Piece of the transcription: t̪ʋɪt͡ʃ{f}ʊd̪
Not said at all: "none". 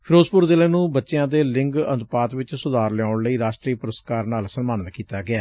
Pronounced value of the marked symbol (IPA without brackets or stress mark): s